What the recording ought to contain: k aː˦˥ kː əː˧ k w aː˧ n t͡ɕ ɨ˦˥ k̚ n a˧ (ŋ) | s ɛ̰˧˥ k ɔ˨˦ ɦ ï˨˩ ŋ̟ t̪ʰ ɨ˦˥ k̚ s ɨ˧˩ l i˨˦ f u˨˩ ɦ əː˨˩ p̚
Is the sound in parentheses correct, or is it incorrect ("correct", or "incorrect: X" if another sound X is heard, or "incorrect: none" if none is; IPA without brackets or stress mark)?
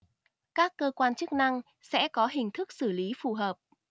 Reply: correct